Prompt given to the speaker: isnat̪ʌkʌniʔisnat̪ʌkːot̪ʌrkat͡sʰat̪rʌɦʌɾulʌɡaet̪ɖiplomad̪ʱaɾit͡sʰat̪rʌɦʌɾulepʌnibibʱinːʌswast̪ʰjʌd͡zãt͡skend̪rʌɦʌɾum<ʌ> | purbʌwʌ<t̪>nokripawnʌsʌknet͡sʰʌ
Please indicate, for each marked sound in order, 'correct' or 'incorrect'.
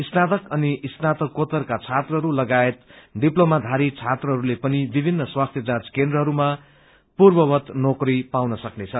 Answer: incorrect, correct

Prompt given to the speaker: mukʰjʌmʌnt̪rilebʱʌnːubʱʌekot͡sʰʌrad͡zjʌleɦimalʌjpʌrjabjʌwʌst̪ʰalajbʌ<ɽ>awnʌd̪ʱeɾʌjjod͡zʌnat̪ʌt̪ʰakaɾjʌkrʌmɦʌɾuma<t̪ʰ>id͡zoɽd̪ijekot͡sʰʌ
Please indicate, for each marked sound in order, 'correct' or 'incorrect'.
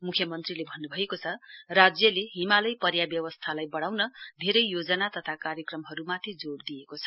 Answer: correct, correct

